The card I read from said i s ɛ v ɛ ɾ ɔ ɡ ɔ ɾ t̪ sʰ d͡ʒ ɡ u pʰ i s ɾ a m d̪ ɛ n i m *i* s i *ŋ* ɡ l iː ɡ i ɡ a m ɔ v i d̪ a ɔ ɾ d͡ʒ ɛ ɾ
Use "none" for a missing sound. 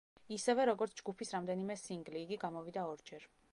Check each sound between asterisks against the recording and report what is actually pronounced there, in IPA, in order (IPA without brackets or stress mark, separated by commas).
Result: ɛ, ŋ